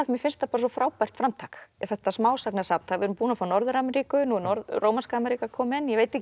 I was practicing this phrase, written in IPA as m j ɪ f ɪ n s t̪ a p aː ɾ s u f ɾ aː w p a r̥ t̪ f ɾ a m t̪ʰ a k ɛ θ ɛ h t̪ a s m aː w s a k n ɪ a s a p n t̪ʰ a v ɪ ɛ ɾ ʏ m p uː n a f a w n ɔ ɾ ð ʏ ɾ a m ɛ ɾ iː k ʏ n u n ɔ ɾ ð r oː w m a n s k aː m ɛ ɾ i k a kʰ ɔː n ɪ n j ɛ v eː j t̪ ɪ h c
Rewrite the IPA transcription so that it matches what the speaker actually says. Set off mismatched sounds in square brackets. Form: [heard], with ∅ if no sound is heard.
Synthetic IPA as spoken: m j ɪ f ɪ n s t̪ a p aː ɾ s [ɔ] f ɾ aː w p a r̥ t̪ f ɾ a m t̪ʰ a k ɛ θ ɛ h t̪ a s m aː w s a k n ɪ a s a p n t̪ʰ a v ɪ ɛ ɾ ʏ m p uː n a f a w n ɔ ɾ ð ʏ ɾ a m ɛ ɾ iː k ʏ n u n ɔ ɾ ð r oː w m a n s k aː m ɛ ɾ i k a kʰ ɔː [m] ɪ n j ɛ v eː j t̪ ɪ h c